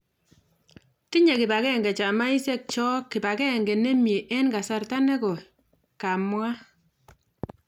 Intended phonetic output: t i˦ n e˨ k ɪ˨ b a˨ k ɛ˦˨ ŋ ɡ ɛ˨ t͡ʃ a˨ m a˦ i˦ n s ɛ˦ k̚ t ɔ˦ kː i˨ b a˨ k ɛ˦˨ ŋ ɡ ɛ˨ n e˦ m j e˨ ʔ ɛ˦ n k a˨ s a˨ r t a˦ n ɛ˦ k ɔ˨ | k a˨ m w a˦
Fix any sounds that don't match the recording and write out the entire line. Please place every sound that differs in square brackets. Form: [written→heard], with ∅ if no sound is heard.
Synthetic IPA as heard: t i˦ [n→ɲ] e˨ k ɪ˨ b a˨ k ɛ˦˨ ŋ ɡ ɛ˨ t͡ʃ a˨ m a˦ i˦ [n→∅] s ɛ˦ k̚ [t→t͡ʃ] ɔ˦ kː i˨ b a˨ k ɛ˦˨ ŋ ɡ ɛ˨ n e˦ m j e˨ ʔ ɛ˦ n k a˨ s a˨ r t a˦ n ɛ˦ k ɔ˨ | k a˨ m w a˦